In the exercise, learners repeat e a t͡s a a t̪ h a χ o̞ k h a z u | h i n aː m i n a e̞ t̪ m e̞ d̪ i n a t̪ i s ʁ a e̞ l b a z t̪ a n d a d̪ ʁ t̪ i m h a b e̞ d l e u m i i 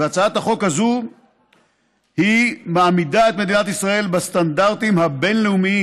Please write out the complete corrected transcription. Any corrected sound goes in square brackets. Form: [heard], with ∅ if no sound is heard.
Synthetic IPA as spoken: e a t͡s a a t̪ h a χ o̞ k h a z u | h i [m] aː m i [d] a e̞ t̪ m e̞ d̪ i n a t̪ i s ʁ a e̞ l b a [s] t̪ a n d a [∅] ʁ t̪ i m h a b e̞ [n] l e u m i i